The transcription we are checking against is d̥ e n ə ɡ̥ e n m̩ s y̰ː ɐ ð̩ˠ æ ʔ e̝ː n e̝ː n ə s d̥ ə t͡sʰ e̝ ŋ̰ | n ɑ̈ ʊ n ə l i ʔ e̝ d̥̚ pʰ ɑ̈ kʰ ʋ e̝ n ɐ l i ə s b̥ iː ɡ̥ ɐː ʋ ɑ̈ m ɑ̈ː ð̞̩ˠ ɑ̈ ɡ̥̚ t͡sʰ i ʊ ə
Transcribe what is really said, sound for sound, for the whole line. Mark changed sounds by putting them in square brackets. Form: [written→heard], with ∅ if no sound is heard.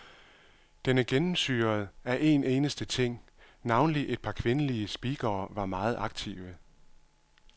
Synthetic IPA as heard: d̥ e n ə ɡ̥ e n m̩ s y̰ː ɐ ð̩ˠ æ ʔ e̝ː n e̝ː n ə s d̥ ə t͡sʰ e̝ ŋ̰ | n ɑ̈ ʊ n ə l i ʔ e̝ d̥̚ pʰ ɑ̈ kʰ ʋ e̝ n [ɐ→ə] l i ə s b̥ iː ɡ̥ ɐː ʋ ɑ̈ m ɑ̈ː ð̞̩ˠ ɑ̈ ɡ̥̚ t͡sʰ i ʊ ə